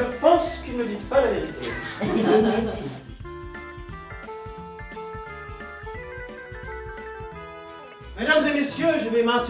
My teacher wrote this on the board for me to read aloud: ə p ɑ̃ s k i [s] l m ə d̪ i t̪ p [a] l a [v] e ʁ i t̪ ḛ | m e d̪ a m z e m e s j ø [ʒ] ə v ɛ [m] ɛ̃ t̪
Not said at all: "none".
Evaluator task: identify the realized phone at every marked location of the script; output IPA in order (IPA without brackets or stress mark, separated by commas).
none, a, v, ʒ, m